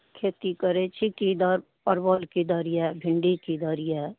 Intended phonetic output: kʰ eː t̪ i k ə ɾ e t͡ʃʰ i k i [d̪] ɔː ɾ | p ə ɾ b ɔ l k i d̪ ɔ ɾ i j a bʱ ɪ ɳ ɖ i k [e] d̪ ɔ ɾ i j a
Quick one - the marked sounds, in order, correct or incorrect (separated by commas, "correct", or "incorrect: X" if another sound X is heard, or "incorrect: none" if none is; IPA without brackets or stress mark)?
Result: correct, incorrect: i